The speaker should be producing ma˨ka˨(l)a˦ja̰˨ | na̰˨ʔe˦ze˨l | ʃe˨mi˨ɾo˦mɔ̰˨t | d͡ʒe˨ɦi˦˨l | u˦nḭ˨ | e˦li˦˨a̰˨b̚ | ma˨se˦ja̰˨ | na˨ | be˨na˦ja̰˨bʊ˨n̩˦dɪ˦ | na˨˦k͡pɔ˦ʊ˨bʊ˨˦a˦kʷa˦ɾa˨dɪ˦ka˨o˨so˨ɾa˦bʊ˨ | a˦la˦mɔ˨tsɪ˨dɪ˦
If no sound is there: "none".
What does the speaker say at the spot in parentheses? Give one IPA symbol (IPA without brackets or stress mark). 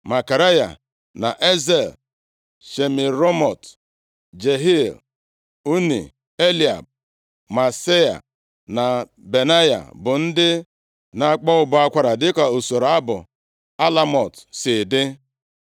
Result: ɾ